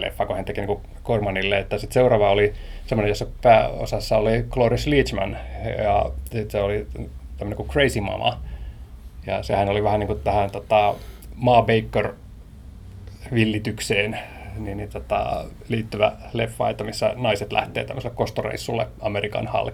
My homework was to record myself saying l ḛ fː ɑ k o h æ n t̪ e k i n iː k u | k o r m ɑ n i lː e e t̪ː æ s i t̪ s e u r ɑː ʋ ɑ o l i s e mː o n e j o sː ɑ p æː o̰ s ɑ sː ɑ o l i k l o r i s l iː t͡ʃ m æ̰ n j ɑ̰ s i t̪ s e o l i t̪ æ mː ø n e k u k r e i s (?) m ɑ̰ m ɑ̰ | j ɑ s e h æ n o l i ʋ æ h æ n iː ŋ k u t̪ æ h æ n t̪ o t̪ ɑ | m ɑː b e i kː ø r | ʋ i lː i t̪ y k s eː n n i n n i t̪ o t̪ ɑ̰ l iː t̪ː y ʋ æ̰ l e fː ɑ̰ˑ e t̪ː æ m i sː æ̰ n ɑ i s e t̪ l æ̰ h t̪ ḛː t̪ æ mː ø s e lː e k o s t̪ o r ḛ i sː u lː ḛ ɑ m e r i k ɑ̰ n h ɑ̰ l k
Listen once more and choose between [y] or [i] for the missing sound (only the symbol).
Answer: i